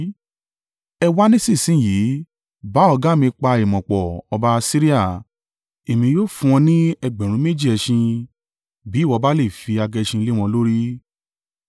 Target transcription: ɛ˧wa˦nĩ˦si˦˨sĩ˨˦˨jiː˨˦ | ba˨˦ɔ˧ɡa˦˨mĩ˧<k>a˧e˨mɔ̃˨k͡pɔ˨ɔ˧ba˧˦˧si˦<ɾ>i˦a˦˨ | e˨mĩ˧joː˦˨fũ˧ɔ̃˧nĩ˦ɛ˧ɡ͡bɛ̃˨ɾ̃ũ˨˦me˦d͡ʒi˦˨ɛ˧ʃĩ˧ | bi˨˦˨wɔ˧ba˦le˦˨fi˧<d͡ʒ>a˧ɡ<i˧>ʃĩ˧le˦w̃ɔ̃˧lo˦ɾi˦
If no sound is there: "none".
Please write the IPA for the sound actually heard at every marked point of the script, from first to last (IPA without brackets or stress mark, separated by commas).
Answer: k͡p, ɾ, none, ɛ˧